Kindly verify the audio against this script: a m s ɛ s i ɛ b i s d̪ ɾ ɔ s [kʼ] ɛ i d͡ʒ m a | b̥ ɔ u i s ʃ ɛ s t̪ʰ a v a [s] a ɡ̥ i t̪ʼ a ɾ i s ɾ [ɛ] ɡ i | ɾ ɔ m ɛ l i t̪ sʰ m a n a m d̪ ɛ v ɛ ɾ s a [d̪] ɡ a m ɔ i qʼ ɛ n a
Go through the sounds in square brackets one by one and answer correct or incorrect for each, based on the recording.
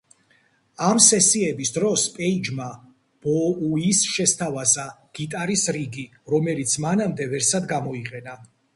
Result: incorrect: pʼ, incorrect: z, incorrect: i, correct

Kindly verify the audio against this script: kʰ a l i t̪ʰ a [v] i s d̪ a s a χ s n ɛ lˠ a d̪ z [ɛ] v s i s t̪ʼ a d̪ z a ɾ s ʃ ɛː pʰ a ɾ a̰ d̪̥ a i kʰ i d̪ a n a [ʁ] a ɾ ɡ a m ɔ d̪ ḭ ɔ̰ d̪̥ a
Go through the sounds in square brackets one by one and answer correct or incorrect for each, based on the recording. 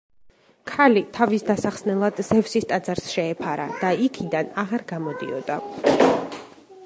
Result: correct, correct, correct

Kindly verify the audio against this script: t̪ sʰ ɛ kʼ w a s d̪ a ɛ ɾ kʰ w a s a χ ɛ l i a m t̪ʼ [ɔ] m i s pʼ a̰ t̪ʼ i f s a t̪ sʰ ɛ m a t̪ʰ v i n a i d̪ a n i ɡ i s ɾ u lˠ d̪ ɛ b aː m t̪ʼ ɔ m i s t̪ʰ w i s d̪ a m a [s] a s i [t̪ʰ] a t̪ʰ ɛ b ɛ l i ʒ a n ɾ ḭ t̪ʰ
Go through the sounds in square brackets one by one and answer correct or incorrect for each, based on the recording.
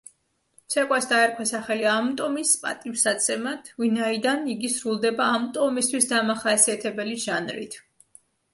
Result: correct, incorrect: χ, incorrect: none

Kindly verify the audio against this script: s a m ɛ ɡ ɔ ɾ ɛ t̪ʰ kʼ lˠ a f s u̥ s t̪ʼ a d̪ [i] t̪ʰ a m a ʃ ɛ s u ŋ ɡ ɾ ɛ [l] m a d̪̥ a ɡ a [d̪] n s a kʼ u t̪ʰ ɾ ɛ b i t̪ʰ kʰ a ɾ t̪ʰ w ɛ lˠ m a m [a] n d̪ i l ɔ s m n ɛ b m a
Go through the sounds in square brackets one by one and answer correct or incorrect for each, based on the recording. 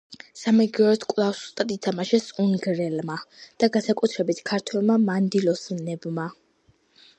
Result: correct, correct, incorrect: none, correct

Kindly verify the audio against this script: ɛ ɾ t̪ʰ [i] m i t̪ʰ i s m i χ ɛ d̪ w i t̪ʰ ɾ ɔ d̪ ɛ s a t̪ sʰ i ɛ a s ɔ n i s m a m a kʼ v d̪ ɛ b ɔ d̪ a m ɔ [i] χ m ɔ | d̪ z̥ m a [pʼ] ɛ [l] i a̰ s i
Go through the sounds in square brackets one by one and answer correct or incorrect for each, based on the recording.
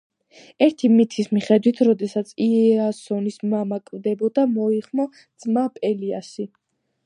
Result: correct, correct, correct, correct

